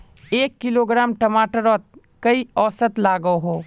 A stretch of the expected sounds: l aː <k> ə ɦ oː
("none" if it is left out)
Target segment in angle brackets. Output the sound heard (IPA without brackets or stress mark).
ɡ